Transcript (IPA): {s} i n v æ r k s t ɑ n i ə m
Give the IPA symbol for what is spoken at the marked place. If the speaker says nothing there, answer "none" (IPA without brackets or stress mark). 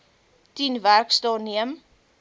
t